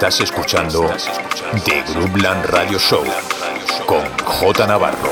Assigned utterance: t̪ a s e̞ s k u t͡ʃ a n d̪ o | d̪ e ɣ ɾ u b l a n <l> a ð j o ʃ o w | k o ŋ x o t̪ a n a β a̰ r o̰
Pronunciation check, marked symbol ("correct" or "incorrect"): incorrect